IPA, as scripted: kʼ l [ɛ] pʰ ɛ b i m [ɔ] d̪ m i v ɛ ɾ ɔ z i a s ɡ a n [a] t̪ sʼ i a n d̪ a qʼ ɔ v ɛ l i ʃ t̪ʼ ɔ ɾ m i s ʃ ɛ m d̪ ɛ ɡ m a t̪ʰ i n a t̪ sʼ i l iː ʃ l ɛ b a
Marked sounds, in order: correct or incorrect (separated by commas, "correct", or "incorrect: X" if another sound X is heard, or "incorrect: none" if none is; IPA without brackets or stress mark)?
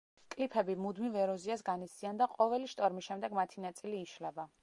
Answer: incorrect: i, incorrect: u, incorrect: i